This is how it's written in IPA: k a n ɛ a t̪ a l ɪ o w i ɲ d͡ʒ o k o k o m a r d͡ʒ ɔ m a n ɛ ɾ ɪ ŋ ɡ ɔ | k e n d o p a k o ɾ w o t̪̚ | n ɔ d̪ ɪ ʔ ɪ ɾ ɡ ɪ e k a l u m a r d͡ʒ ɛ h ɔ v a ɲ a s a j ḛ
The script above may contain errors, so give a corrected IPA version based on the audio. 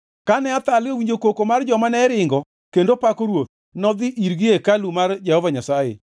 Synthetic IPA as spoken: k a n ɛ a t̪ a l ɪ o w i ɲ d͡ʒ o k o k o m a r d͡ʒ ɔ m a n ɛ ɾ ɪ ŋ ɡ ɔ | k e n d o p a k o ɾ w o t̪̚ | n ɔ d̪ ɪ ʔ i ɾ ɡ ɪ e k a l u m a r d͡ʒ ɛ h ɔ v a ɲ a s a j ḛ